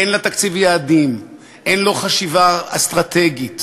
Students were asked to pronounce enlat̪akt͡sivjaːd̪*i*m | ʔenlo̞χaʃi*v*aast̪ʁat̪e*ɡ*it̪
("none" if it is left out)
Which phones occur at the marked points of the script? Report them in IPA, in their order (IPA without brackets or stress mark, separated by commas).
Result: i, v, ɡ